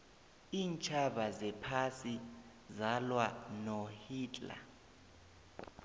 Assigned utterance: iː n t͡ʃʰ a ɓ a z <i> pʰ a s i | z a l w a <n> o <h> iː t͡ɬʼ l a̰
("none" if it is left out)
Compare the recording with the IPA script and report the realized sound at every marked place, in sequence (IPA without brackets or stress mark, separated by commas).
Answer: ɛ, n, h